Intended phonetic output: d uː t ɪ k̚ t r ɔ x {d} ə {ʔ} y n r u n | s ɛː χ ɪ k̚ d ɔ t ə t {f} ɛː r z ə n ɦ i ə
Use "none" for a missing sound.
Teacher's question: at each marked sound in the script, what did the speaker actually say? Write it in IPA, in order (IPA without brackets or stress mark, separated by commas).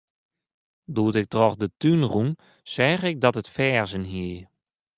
d, t, f